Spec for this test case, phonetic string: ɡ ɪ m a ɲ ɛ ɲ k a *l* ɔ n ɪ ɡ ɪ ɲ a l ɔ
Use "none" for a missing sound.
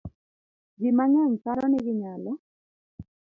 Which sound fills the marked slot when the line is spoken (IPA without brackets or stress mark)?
ɾ